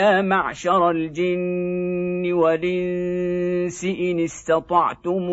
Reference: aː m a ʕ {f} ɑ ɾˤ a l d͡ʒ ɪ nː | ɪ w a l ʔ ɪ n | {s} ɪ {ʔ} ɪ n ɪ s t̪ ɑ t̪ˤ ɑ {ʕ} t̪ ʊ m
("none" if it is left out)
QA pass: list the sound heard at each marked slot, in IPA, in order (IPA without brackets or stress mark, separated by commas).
ʃ, s, ʔ, ʕ